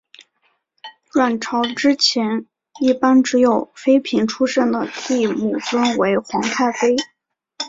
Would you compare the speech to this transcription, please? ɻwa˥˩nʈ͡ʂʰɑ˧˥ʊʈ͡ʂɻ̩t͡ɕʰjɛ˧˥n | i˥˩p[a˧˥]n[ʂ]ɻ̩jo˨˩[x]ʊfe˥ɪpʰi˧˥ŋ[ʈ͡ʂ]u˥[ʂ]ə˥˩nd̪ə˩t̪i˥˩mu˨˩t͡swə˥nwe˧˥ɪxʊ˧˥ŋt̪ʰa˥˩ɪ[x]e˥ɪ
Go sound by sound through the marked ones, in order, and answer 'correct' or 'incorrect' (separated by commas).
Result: incorrect, incorrect, incorrect, incorrect, correct, incorrect